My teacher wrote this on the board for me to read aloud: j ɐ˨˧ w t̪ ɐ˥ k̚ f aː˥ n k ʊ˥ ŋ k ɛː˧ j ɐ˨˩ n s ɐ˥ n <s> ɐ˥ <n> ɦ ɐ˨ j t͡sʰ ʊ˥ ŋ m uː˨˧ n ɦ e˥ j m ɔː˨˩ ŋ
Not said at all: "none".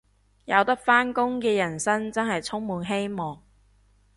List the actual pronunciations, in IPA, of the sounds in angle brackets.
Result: t͡s, n

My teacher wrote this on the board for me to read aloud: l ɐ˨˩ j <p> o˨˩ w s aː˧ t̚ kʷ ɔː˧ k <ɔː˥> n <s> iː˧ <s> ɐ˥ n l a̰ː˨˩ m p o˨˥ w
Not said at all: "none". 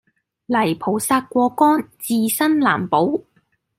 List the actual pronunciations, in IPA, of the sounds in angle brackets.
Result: pʰ, ɔː˥, t͡s, s

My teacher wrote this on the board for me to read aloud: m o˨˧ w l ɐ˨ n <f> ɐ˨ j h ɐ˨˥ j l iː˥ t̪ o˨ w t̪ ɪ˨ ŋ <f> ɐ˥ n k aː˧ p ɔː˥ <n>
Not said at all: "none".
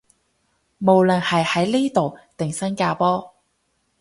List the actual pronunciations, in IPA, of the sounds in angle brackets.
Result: h, s, none

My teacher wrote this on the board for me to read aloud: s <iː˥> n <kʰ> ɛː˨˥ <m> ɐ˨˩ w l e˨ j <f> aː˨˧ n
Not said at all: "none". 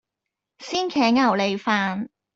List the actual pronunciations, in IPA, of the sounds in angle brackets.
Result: iː˥, kʰ, ŋ, f

